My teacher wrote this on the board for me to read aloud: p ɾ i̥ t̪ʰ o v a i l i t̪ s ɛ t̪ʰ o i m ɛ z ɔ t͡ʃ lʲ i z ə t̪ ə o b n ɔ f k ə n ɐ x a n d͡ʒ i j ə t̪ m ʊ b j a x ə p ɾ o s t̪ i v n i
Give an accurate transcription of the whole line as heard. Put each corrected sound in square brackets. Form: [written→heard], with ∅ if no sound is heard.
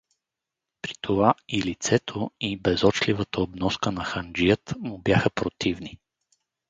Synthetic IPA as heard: p ɾ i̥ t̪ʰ o v a i l i t̪ s ɛ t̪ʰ o i [m→b] ɛ z ɔ t͡ʃ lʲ i [z→v] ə t̪ ə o b n ɔ [f→s] k ə n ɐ x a n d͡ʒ i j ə t̪ m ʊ b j a x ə p ɾ o [s→∅] t̪ i v n i